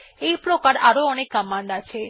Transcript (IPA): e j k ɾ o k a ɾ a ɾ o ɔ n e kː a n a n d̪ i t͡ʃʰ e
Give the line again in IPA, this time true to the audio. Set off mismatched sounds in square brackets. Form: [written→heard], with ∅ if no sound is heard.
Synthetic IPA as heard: e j [k→p] ɾ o k a ɾ a ɾ o ɔ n e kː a [n→m] a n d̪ [i→a] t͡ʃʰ e